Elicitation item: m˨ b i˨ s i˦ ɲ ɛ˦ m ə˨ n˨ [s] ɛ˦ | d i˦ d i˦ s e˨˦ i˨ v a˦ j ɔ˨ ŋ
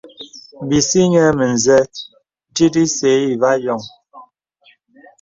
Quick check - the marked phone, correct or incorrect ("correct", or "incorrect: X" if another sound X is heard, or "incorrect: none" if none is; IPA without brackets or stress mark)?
incorrect: z